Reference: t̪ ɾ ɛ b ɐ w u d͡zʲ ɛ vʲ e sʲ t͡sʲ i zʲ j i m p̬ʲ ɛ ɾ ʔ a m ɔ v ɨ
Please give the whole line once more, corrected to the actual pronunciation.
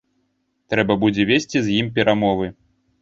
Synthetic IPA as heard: t̪ ɾ ɛ b ɐ b u d͡zʲ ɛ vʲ e sʲ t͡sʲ i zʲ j i m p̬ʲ ɛ ɾ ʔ a m ɔ v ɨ